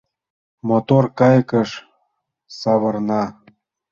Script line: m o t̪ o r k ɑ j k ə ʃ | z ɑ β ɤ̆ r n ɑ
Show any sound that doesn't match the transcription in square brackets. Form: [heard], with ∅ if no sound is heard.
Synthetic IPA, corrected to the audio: m o t̪ o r k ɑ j k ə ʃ | [s] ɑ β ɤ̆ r n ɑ